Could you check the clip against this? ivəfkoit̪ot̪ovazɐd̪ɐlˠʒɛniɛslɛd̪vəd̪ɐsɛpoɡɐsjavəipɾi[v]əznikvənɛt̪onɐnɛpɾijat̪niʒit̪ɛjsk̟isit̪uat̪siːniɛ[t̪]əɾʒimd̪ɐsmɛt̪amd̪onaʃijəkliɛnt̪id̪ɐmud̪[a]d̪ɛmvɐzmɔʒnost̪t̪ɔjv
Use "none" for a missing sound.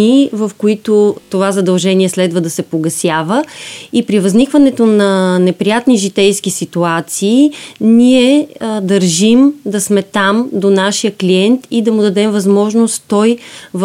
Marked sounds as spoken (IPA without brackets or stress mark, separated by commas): v, d̪, ɐ